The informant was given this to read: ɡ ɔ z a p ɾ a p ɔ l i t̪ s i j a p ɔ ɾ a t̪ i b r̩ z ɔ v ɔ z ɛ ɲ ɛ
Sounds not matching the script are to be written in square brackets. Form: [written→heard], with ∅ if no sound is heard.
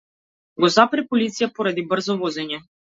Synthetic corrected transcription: ɡ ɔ z a p ɾ [a→ɛ] p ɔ l i t̪ s i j a p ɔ ɾ a [t̪→d̪] i b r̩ z ɔ v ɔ z ɛ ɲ ɛ